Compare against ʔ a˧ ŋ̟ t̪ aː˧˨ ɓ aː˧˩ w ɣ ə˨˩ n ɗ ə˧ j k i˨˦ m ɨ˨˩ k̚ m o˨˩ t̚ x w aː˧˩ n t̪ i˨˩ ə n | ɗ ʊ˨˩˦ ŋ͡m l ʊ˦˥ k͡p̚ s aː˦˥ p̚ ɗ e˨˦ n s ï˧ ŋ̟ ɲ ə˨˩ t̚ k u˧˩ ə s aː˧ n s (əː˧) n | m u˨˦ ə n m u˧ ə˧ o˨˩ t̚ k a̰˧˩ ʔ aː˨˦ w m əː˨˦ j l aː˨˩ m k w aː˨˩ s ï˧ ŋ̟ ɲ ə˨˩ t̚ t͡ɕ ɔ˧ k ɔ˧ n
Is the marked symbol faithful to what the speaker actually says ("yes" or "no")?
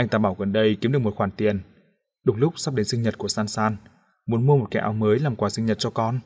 no